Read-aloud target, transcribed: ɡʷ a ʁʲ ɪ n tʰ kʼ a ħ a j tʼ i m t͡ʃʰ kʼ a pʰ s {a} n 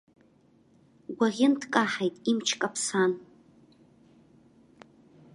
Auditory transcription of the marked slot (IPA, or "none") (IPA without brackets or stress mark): a